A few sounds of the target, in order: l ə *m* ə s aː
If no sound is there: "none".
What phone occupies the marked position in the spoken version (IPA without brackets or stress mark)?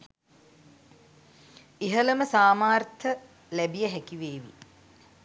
m